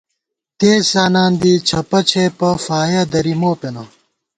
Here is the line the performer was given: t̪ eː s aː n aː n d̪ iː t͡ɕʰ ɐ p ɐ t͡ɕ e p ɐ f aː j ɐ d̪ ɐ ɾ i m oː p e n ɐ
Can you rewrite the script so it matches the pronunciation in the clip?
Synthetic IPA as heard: t̪ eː s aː n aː n d̪ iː t͡ɕʰ ɐ p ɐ t͡ɕʰ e p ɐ f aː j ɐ d̪ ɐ ɾ i m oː p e n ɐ